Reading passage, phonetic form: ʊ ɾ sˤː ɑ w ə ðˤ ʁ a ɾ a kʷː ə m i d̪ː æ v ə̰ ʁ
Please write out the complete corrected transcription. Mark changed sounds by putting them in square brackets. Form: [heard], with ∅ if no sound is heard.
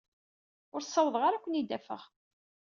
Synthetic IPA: ʊ ɾ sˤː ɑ w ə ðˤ ʁ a ɾ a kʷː ə [n] i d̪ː æ [f] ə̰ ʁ

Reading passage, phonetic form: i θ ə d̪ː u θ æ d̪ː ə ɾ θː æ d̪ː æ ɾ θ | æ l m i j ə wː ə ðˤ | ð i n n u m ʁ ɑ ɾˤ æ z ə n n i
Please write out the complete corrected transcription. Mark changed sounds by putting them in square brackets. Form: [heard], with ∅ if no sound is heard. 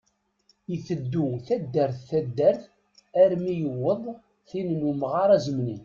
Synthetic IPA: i θ ə d̪ː u θ æ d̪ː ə ɾ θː æ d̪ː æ ɾ θ | æ [ɾ] m i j ə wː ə ðˤ | [θ] i n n u m ʁ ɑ ɾˤ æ z ə [m] n i

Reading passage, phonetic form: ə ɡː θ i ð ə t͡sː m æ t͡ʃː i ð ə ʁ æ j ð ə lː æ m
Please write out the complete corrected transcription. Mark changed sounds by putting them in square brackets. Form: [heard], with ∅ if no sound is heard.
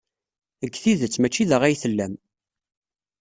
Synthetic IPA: ə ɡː θ i ð ə t͡sː m æ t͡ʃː i ð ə ʁ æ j [θ] ə lː æ m

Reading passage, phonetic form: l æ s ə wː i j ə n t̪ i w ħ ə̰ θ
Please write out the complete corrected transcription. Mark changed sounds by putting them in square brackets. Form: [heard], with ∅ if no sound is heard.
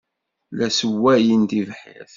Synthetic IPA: l æ s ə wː [æ] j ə n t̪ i [v] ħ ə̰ θ

